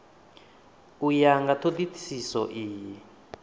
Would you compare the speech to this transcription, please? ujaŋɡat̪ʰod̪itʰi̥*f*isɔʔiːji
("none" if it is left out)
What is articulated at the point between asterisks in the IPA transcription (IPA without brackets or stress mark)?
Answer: s